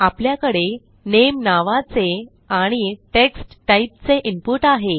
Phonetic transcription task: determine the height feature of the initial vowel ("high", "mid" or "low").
low